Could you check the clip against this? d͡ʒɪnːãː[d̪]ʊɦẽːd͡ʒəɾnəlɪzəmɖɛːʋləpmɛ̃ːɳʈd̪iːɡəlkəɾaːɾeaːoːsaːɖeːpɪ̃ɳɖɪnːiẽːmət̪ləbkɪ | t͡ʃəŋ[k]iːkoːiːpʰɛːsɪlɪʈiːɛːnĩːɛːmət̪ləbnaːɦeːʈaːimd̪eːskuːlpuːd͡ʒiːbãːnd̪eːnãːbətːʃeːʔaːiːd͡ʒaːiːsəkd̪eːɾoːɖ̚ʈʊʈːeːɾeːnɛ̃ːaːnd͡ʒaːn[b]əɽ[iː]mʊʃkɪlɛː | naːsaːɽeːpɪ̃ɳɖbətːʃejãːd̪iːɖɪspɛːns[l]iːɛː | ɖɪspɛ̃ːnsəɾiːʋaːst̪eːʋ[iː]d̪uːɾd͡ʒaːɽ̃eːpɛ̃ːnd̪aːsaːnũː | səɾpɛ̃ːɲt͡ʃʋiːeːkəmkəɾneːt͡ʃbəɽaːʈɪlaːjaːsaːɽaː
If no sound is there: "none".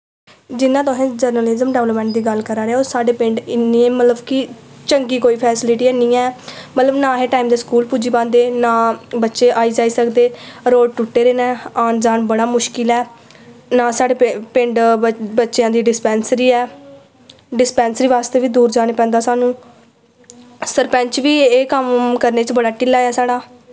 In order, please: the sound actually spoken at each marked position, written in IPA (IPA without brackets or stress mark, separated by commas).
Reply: t̪, ɡ, b, aː, ɾ, iː